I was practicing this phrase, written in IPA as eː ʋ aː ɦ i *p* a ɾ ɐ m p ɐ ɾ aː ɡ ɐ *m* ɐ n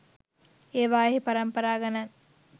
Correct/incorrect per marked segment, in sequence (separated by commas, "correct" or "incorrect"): correct, incorrect